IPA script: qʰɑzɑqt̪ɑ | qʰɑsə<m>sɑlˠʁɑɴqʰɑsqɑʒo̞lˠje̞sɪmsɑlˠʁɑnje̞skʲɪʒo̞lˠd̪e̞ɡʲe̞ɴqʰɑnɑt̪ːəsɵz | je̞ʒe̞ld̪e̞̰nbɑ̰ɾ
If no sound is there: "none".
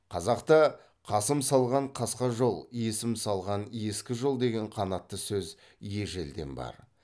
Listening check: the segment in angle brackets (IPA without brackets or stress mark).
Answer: m